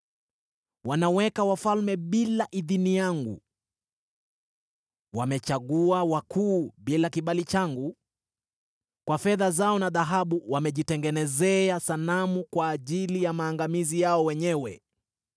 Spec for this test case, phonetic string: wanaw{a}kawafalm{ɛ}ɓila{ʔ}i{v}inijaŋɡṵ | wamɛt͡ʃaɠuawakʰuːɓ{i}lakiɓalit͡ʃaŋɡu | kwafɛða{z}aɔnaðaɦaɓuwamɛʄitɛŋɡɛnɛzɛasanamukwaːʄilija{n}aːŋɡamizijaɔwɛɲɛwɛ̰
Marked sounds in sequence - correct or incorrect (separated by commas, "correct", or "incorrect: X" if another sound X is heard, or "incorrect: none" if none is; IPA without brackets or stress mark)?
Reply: incorrect: ɛ, correct, correct, incorrect: ð, correct, correct, incorrect: m